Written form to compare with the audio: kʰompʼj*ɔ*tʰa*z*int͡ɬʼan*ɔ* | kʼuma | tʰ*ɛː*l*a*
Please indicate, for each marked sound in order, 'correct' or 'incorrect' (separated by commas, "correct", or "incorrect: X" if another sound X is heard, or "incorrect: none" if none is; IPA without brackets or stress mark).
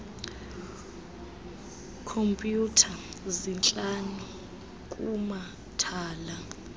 incorrect: u, correct, incorrect: u, incorrect: aː, correct